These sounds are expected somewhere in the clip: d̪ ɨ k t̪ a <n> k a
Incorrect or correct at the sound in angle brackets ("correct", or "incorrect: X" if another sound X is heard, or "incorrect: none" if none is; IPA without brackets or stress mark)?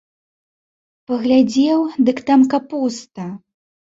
incorrect: m